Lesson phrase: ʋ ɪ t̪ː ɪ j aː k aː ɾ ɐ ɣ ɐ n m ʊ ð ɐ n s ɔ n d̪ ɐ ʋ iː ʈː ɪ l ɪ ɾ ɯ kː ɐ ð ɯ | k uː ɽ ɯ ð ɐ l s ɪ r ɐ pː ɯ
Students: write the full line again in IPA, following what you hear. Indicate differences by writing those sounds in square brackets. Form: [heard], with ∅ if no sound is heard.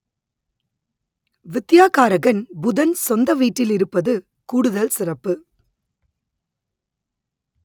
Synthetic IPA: ʋ ɪ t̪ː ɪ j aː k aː ɾ ɐ ɣ ɐ n [b] ʊ ð ɐ n s ɔ n d̪ ɐ ʋ iː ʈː ɪ l ɪ ɾ ɯ [pː] ɐ ð ɯ | k uː ɽ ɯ ð ɐ l s ɪ r ɐ pː ɯ